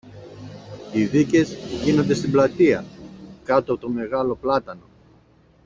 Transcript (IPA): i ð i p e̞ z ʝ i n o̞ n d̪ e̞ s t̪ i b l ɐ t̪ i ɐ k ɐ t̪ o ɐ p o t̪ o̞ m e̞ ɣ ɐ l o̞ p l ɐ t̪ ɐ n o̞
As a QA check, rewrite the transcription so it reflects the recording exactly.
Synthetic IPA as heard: i ð i c e̞ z ʝ i n o̞ n d̪ e̞ s t̪ i b l ɐ t̪ i ɐ k ɐ t̪ o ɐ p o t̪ o̞ m e̞ ɣ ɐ l o̞ p l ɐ t̪ ɐ n o̞